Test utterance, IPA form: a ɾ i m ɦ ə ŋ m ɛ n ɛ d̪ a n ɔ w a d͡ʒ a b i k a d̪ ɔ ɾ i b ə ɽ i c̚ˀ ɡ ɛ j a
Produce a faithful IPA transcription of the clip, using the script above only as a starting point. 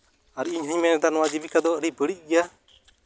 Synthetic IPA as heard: a ɾ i ɲ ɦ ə ɲ m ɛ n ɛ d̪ a n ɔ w a d͡ʒ i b i k a d̪ ɔ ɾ i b ə ɽ i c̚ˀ ɡ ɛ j a